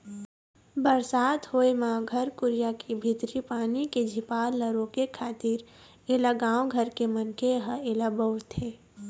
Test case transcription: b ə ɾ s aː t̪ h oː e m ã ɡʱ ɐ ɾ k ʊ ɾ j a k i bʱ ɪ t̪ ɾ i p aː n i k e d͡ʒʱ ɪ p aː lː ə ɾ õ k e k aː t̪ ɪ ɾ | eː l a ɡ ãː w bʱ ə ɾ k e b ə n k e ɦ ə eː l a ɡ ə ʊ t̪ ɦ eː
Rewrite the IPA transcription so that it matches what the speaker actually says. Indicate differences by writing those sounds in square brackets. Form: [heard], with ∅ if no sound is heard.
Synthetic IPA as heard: b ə ɾ s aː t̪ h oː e m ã ɡʱ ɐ ɾ k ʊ ɾ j a k i bʱ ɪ t̪ ɾ i p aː n i k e d͡ʒʱ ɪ p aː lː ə ɾ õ k e [kʰ] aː t̪ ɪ ɾ | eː l a ɡ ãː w [ɡʱ] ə ɾ k e [m] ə n k e ɦ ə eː l a [b] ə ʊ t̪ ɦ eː